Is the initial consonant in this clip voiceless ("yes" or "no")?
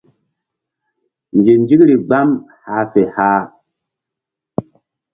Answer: no